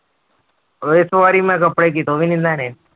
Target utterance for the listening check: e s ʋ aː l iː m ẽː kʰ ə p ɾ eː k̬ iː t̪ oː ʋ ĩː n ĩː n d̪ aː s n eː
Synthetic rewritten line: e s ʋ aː ɾ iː m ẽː k ə p ɽ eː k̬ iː t̪ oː ʋ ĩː n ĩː n d̪ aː n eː